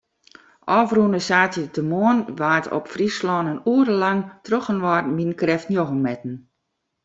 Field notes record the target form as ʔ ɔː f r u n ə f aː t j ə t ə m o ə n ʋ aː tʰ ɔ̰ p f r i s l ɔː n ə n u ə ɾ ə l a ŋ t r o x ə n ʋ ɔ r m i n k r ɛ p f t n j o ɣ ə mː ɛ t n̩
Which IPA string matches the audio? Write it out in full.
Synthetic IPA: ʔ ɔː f r u n ə s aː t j ə t ə m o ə n ʋ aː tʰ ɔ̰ p f r i s l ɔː n ə n u ə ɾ ə l a ŋ t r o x ə n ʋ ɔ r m i n k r ɛ f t n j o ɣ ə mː ɛ t n̩